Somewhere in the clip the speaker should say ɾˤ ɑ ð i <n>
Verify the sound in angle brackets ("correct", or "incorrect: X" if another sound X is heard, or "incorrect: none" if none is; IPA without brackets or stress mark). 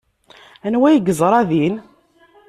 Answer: correct